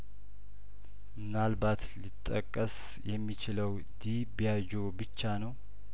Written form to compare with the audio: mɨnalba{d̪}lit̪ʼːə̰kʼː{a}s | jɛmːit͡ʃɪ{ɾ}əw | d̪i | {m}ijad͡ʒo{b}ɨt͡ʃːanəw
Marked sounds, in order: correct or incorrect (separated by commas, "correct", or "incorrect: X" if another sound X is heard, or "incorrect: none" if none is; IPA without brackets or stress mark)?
incorrect: t̪, incorrect: ə, incorrect: l, incorrect: b, correct